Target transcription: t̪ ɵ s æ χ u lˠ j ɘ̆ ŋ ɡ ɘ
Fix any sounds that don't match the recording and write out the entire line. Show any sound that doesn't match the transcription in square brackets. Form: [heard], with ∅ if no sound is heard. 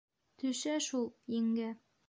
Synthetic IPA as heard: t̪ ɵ [ʃ] æ [ʃ] u lˠ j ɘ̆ ŋ ɡ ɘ